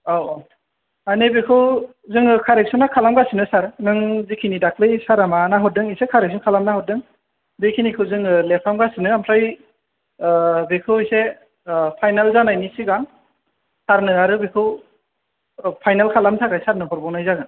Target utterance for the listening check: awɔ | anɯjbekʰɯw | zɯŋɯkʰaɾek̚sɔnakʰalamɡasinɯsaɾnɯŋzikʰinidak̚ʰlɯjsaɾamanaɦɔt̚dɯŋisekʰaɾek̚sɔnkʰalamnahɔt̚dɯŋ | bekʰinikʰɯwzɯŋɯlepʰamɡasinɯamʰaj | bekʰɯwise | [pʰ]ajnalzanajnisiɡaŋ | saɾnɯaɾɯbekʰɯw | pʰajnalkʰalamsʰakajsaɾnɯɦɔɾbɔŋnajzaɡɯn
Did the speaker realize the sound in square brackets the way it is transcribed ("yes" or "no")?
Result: yes